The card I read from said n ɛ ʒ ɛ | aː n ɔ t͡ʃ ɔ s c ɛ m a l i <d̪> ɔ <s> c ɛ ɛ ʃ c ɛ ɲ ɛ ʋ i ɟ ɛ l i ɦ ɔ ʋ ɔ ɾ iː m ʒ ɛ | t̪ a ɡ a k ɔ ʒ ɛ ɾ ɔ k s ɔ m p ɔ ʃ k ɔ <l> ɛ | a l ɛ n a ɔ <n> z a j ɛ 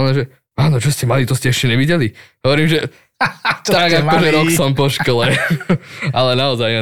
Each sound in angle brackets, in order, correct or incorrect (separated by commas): incorrect, correct, correct, incorrect